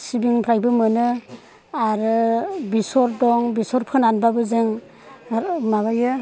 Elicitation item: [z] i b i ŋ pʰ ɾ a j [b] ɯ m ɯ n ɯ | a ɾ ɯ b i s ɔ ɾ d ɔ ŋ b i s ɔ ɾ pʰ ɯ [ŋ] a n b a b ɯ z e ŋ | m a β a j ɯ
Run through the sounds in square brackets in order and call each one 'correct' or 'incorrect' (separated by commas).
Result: incorrect, correct, incorrect